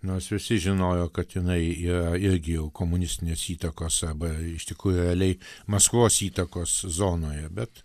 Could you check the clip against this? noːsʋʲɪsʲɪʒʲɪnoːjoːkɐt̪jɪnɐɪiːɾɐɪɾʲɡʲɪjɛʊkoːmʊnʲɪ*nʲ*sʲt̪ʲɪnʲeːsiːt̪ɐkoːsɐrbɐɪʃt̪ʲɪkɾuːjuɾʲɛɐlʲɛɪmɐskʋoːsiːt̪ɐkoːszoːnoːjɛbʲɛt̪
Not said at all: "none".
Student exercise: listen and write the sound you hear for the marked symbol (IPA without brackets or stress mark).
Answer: none